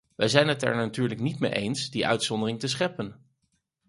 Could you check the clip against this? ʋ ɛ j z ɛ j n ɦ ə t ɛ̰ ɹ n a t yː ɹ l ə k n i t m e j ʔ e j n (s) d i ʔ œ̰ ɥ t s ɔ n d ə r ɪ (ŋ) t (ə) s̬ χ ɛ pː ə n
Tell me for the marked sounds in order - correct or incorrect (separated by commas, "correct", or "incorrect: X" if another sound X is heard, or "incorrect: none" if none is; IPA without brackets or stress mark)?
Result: correct, correct, correct